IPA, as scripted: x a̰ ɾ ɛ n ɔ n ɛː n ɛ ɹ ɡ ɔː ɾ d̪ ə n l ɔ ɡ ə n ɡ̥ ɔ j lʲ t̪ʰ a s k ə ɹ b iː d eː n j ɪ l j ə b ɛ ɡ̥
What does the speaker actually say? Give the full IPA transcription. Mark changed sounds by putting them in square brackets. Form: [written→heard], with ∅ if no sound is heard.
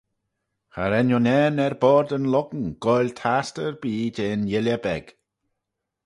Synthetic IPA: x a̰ ɾ ɛ n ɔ n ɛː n ɛ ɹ [ɡ→b] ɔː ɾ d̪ ə n l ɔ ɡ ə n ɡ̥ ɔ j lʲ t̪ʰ a s [k→t] ə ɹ b iː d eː n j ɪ l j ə b ɛ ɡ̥